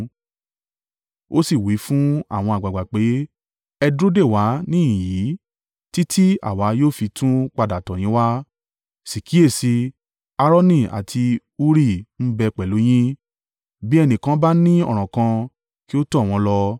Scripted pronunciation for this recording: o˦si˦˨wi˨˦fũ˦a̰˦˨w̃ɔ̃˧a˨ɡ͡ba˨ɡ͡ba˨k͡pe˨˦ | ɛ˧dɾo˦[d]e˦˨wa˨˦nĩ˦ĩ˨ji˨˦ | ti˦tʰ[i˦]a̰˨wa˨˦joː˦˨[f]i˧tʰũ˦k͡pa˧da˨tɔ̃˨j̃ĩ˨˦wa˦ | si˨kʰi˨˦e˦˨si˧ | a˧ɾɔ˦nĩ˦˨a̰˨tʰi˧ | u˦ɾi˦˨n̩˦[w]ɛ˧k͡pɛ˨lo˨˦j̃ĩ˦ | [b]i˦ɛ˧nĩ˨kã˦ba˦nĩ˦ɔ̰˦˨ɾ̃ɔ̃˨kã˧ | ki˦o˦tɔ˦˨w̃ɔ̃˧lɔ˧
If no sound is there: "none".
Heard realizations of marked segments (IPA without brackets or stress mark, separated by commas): d, i˦, f, b, b